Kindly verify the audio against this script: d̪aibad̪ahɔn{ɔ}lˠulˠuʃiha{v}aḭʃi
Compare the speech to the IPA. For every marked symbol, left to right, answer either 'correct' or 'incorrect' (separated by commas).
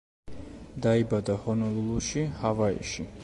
correct, correct